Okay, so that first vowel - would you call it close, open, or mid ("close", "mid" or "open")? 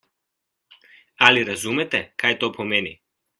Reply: open